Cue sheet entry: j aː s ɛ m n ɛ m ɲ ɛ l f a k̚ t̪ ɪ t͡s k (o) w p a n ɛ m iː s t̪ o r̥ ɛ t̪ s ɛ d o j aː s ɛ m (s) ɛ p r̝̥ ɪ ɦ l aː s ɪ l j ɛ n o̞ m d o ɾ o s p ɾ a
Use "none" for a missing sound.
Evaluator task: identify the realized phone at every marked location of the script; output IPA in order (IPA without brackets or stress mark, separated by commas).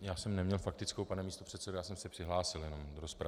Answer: o, s